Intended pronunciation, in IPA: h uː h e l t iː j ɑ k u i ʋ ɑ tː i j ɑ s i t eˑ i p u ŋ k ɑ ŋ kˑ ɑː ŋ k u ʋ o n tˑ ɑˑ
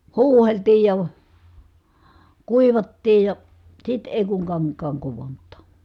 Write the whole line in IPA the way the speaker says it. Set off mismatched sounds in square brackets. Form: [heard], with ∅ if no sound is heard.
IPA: h uː h e l t iː j ɑ k u i ʋ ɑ tː [iː] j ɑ s i t eˑ i [k] u ŋ k ɑ ŋ kˑ ɑː ŋ k u ʋ o n tˑ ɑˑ